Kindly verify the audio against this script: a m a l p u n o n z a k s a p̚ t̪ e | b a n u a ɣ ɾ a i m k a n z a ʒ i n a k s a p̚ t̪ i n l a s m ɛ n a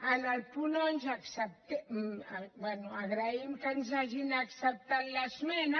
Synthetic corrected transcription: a n a l p u n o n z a k s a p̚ t̪ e | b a n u a ɣ ɾ a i m k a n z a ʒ i n a k s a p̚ t̪ a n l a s m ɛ n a

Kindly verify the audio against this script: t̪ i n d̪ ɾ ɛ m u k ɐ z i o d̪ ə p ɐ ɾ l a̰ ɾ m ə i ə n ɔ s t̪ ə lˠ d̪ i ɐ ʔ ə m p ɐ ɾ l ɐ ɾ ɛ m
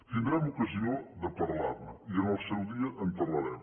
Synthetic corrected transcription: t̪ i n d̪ ɾ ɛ m u k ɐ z i o d̪ ə p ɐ ɾ l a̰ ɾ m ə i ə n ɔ s t̪ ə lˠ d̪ i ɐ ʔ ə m p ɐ ɾ l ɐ ɾ ɛ m

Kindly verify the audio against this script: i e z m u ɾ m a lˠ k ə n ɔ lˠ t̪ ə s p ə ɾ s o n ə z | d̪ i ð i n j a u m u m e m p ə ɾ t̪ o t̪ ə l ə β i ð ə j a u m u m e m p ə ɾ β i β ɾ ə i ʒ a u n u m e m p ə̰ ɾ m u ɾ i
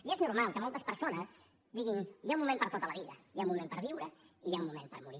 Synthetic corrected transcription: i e z n u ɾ m a lˠ k ə m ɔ lˠ t̪ ə s p ə ɾ s o n ə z | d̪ i ɣ i n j a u m u m e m p ə ɾ t̪ o t̪ ə l ə β i ð ə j a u m u m e m p ə ɾ β i w ɾ ə i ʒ a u m u m e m p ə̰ ɾ m u ɾ i

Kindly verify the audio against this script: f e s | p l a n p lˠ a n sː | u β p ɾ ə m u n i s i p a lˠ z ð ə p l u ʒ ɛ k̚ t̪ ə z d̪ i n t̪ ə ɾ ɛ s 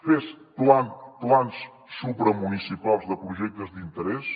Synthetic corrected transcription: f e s | p l a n p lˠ a n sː | u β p ɾ ə m u n i s i p a lˠ z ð ə p ɾ u ʒ ɛ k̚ t̪ ə z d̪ i n t̪ ə ɾ ɛ s

